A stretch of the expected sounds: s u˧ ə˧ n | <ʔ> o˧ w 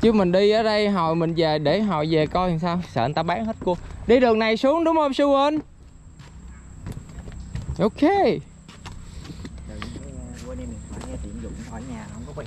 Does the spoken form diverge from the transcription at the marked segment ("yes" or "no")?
no